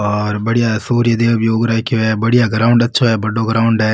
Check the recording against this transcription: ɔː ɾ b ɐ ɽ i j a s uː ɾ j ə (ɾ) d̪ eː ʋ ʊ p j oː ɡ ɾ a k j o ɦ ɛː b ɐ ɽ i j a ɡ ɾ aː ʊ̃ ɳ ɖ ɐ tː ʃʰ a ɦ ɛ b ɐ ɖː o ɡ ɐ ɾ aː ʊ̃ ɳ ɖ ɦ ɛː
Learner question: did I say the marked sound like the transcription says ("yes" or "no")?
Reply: no